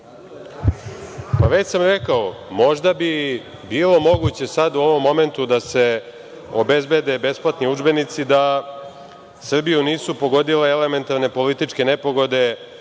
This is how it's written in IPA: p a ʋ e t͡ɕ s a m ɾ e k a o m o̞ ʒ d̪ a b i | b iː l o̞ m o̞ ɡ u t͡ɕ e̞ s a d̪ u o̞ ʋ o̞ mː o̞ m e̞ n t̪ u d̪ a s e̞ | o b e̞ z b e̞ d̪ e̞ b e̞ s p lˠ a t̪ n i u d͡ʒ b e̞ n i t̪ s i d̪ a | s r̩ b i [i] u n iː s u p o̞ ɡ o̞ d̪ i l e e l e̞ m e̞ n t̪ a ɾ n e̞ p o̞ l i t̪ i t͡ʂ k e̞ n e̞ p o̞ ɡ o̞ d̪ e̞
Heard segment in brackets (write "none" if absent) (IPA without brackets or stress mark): j